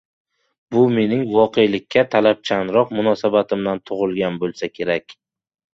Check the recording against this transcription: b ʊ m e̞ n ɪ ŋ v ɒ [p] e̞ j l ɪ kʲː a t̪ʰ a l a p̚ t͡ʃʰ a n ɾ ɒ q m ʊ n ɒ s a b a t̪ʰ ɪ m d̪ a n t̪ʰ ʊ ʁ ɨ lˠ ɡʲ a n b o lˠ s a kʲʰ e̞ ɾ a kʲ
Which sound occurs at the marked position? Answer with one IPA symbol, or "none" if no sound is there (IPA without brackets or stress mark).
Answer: q